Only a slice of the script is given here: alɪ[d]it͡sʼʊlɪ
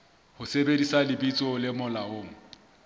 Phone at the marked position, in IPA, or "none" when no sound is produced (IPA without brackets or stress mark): b